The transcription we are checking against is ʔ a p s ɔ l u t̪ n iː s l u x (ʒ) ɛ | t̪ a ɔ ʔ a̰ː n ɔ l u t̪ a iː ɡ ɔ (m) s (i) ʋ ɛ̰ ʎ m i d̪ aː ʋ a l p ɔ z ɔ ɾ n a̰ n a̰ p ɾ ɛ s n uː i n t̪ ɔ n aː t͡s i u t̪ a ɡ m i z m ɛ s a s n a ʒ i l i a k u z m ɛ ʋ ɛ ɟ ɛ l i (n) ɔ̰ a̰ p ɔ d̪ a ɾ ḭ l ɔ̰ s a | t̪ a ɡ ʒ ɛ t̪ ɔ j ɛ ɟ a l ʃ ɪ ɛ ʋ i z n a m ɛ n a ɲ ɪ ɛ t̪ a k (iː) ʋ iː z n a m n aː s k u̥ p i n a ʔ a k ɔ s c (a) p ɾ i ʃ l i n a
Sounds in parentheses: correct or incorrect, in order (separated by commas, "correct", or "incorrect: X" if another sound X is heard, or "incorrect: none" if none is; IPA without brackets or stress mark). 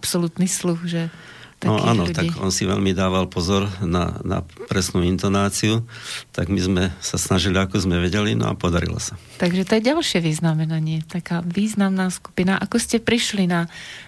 correct, incorrect: n, correct, correct, incorrect: aː, incorrect: ɛ